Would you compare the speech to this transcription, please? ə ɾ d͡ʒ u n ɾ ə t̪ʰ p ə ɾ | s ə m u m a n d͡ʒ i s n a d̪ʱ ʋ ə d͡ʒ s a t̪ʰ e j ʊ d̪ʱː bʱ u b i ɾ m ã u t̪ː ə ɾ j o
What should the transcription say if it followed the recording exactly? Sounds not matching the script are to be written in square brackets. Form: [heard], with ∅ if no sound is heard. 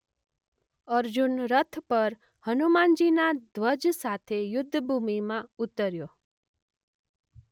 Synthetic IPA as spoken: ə ɾ d͡ʒ u n ɾ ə t̪ʰ p ə ɾ | [h] ə [n] u m a n d͡ʒ i [∅] n a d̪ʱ ʋ ə d͡ʒ s a t̪ʰ e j ʊ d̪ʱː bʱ u [m] i [∅] m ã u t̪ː ə ɾ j o